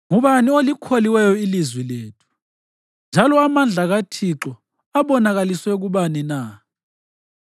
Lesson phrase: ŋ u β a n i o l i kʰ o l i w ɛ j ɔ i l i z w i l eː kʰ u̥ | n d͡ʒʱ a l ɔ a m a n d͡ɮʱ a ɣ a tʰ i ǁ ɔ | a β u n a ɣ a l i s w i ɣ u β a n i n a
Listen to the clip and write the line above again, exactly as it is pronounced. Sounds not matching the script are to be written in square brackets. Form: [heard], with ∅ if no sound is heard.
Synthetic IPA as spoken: ŋ u β a n i o l i kʰ o l i w ɛ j ɔ i l i z w i l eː [tʰ] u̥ | n d͡ʒʱ a l ɔ a m a n d͡ɮʱ a ɣ a tʰ i ǁ ɔ | a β [ɔ] n a ɣ a l i s w [ɛ] ɣ u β a n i n a